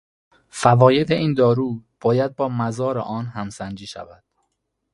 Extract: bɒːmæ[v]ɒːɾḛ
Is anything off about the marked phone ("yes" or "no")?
yes